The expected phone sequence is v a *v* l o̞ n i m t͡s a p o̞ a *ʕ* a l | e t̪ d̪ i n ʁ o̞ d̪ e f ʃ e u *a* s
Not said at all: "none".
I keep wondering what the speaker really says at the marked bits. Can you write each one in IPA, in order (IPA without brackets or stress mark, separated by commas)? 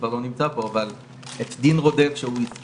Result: ʁ, v, i